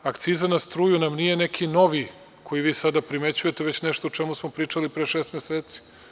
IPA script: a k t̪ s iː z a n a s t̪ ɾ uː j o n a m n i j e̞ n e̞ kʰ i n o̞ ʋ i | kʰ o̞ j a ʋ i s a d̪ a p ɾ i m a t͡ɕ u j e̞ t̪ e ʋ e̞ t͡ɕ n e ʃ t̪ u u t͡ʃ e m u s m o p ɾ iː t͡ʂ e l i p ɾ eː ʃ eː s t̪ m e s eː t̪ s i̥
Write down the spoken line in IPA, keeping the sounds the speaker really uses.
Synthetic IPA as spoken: a k t̪ s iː z a n a s t̪ ɾ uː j u n a m n i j e̞ n e̞ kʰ i n o̞ ʋ i | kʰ o̞ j i ʋ iː s a d̪ a p ɾ i m e t͡ɕ u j e̞ t̪ e ʋ e̞ t͡ɕ n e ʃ t̪ o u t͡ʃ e m u s m o p ɾ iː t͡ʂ a l i p ɾ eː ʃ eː s t̪ m e s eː t̪ s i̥